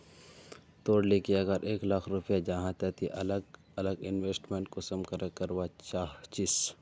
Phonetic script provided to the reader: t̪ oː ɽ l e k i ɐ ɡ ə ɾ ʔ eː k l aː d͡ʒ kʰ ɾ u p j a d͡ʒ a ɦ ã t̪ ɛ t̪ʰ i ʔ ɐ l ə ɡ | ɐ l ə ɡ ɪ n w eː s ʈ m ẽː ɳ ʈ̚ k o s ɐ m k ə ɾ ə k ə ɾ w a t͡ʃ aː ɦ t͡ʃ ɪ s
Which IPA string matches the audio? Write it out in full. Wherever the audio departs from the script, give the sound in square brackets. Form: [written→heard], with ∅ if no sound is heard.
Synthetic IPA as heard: t̪ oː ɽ l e k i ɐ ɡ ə ɾ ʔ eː k l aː [d͡ʒ→∅] kʰ ɾ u p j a d͡ʒ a ɦ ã t̪ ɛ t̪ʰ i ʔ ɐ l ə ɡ | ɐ l ə ɡ ɪ n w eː s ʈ m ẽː ɳ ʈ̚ k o s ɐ m k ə ɾ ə k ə ɾ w a t͡ʃ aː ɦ t͡ʃ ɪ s